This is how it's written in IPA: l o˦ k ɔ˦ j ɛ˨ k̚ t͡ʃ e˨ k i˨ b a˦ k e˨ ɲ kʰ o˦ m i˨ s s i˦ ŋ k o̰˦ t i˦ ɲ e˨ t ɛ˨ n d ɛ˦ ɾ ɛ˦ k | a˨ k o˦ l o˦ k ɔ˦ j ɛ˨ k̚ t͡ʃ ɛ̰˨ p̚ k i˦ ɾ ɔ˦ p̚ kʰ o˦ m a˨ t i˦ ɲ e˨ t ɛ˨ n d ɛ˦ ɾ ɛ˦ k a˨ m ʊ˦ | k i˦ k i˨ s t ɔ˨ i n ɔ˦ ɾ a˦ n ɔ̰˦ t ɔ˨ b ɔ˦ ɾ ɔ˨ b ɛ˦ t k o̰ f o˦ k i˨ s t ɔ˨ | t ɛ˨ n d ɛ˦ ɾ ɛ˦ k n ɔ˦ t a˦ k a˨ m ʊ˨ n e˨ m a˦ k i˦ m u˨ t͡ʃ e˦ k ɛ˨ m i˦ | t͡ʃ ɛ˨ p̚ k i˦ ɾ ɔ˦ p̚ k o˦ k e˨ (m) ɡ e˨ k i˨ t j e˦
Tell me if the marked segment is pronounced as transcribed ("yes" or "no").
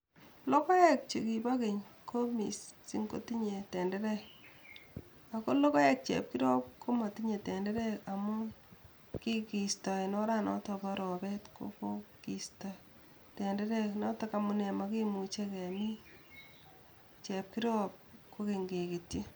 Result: no